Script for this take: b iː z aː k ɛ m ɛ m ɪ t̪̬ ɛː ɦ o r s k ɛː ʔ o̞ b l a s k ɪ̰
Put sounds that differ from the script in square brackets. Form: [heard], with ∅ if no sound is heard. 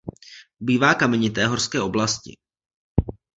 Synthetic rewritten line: b iː [v] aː k [a] m ɛ [ɲ] ɪ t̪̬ ɛː ɦ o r s k ɛː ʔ o̞ b l a s [c] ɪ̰